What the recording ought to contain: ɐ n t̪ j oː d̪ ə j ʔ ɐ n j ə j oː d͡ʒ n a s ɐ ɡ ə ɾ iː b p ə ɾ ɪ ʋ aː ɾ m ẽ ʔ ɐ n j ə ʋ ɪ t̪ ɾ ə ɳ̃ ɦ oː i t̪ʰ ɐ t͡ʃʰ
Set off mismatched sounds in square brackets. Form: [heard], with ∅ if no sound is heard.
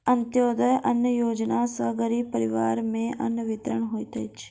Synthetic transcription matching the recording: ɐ n t̪ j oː d̪ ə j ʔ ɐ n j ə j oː d͡ʒ n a s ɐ ɡ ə ɾ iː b p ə ɾ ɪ ʋ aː ɾ m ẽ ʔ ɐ n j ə ʋ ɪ t̪ ɾ ə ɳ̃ ɦ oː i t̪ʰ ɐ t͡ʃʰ